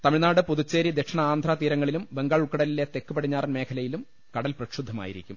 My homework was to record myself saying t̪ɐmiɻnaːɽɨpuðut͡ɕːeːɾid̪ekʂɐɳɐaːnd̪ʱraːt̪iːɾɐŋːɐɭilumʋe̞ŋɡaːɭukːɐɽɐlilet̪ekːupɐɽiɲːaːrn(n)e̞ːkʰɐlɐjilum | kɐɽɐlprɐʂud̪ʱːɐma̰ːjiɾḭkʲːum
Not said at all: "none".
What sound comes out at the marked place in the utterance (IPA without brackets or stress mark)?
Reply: m